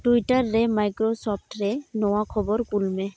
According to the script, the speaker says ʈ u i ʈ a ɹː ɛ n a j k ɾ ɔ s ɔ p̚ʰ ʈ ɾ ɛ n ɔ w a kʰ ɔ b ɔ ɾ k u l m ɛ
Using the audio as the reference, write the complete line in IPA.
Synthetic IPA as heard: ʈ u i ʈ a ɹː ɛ m a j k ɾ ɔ s ɔ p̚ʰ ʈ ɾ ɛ n ɔ w a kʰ ɔ b ɔ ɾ k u l m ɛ